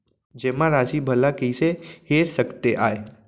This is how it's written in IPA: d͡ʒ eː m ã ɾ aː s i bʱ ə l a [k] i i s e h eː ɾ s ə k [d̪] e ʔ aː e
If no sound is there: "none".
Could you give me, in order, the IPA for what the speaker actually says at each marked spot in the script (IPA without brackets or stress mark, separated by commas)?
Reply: k, t̪